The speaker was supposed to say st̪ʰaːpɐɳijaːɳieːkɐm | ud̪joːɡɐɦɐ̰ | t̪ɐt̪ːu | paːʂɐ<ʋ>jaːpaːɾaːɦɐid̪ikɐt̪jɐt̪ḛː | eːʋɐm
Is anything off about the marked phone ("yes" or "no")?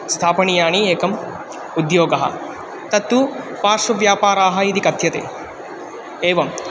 no